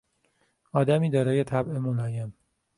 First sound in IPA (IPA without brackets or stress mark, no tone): ɒː